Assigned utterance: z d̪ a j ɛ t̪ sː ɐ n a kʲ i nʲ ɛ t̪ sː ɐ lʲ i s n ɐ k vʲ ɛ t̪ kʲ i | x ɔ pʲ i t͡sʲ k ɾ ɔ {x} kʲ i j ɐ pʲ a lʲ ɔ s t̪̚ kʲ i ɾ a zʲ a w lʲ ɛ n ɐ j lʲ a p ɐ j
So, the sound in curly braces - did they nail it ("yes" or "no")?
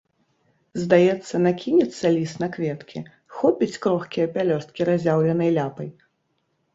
yes